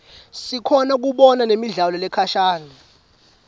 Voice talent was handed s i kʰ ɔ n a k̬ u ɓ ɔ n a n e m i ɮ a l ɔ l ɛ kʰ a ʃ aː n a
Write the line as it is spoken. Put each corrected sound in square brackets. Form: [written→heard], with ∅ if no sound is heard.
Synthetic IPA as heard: s i kʰ ɔ n a k̬ u ɓ ɔ n a n e m i ɮ a l ɔ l ɛ kʰ a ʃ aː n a